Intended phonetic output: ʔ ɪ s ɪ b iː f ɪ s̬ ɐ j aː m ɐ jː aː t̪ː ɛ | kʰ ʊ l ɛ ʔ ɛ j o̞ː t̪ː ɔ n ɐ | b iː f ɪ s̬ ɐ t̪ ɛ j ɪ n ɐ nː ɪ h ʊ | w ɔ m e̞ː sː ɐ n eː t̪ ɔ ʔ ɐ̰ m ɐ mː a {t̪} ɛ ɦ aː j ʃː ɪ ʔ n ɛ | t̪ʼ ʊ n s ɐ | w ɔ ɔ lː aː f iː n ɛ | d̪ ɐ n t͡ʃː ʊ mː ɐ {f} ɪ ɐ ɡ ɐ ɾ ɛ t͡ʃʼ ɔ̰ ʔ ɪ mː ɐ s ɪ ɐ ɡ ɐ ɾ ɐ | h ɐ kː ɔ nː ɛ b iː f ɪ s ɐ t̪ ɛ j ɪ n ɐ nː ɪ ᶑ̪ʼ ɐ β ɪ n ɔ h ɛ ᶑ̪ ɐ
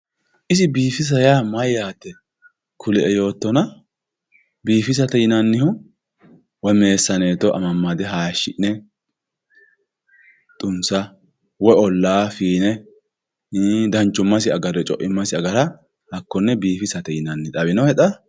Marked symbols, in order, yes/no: no, no

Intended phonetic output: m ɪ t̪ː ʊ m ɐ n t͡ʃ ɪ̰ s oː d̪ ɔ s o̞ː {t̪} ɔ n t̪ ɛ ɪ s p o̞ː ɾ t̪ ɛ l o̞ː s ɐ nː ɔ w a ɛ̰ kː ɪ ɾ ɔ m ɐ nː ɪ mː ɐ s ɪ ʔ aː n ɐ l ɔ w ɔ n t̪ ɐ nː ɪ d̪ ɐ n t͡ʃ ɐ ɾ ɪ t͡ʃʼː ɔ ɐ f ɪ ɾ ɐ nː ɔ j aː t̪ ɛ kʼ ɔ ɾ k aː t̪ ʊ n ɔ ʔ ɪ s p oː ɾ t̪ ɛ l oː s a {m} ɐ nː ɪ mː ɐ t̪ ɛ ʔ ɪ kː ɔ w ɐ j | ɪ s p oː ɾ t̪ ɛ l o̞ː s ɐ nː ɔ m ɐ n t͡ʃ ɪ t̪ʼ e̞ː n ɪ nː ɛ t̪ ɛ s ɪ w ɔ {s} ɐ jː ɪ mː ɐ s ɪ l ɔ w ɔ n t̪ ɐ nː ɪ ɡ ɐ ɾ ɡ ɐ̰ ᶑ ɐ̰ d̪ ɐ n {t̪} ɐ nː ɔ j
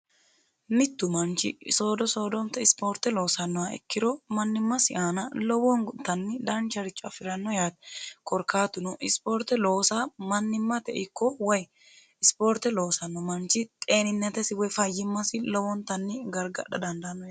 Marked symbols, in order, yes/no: no, yes, no, no

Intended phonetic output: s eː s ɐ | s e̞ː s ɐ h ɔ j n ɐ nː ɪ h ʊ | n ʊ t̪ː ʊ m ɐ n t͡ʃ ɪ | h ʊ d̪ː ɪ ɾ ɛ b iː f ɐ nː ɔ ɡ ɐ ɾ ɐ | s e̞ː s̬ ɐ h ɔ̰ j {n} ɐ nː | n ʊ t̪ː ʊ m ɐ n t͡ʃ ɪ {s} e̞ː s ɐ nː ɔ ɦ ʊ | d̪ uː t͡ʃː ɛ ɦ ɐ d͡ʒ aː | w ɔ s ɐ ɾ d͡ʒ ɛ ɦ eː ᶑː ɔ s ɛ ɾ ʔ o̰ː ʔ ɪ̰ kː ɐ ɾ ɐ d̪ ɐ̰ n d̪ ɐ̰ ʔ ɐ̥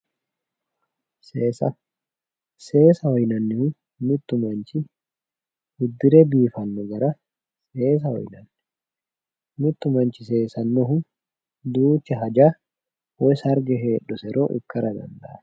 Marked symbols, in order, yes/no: yes, yes

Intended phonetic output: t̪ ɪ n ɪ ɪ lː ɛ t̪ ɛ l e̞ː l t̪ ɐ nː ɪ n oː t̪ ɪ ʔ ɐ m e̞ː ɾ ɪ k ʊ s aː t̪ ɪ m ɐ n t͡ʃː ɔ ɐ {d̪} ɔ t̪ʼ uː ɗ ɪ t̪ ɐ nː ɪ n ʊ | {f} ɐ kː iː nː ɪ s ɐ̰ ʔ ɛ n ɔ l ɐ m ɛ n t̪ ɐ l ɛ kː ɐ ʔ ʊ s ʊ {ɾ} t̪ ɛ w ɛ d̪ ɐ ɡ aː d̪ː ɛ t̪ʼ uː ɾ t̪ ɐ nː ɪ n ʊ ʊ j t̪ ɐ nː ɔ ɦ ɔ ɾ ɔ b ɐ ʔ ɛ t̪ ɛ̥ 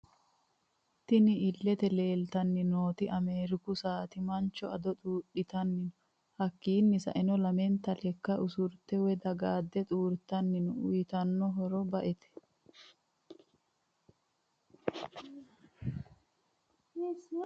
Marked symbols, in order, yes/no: yes, no, yes

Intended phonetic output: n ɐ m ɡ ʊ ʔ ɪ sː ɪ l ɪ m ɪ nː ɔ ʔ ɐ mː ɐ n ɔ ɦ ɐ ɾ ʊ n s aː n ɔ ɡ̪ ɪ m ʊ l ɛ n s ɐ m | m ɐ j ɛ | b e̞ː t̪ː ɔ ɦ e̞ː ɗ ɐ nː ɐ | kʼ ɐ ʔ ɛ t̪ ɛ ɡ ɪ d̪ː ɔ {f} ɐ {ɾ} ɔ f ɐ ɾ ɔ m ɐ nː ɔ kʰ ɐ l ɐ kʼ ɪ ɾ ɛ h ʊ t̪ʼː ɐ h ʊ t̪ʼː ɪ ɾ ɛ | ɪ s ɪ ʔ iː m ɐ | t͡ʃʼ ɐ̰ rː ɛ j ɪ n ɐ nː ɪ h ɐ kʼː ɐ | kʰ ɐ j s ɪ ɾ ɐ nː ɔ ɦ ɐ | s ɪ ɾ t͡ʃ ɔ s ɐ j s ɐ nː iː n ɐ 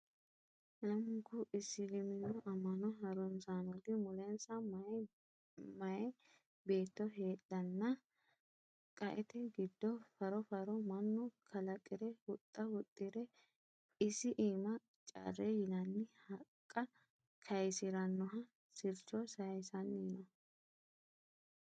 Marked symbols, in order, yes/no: yes, yes

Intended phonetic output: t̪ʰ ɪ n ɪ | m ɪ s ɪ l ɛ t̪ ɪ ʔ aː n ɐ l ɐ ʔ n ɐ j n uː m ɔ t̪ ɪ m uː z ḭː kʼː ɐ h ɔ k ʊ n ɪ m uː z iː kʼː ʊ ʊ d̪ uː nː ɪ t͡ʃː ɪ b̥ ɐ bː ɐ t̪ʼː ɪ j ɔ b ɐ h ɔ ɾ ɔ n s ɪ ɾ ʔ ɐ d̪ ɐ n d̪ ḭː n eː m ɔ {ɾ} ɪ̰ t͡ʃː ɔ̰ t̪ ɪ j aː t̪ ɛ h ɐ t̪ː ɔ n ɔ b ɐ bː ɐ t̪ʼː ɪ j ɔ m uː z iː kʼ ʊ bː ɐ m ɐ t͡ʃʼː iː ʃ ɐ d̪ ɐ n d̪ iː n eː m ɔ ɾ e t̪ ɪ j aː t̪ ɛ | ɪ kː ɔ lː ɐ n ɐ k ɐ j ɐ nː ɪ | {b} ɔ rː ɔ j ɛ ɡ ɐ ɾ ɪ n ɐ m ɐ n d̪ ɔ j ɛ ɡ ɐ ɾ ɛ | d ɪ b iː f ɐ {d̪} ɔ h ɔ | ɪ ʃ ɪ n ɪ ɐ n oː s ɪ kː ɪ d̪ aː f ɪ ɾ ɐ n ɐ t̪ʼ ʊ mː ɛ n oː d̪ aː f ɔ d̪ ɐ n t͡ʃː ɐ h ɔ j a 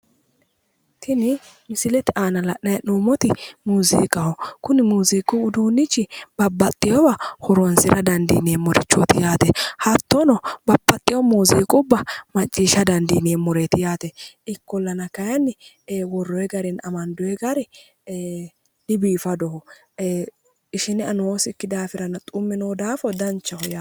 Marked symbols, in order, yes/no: yes, no, yes

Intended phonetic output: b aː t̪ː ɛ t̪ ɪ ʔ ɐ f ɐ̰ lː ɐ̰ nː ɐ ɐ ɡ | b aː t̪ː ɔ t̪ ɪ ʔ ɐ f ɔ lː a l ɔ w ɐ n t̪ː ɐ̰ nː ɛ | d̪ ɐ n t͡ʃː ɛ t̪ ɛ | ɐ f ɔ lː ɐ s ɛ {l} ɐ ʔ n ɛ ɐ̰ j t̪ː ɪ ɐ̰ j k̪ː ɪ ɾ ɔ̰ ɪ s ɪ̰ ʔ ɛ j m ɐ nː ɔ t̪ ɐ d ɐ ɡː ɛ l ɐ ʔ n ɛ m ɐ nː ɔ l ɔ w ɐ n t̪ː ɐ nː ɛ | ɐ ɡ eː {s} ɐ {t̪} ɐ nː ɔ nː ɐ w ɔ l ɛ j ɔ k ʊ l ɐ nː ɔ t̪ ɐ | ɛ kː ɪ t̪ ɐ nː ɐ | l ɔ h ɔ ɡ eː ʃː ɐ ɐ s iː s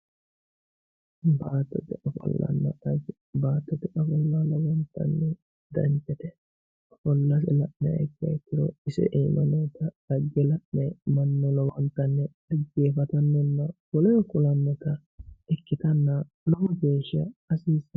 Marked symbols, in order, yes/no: yes, no, yes

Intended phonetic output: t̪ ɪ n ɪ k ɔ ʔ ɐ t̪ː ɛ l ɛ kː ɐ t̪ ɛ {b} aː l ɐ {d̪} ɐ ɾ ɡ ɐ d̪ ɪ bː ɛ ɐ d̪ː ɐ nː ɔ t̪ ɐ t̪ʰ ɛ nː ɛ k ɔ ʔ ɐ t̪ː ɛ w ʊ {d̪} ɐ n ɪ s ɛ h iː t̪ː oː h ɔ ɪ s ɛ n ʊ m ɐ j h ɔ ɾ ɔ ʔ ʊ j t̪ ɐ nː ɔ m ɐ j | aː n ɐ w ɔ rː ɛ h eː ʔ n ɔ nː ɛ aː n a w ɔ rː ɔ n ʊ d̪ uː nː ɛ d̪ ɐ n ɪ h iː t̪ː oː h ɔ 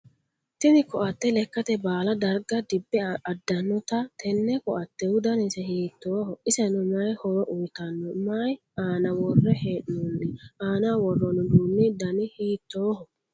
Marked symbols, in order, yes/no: yes, yes, yes

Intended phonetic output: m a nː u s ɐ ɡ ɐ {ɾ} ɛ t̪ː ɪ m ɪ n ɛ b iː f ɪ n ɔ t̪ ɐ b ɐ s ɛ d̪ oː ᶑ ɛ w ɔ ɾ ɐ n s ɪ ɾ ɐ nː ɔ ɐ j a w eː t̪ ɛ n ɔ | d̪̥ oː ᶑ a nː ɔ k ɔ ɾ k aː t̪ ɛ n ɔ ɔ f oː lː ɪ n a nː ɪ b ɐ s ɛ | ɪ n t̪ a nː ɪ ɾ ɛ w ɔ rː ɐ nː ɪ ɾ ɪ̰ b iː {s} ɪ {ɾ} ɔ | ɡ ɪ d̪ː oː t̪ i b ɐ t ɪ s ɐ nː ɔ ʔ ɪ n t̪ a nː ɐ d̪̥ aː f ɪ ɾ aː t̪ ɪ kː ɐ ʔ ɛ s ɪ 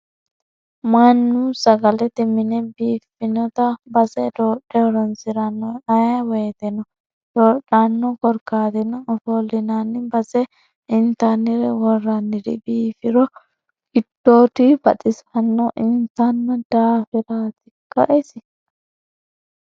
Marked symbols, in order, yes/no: no, no, yes

